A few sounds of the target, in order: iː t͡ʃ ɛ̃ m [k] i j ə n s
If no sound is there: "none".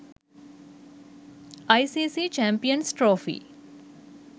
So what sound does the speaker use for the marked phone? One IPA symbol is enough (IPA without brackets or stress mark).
p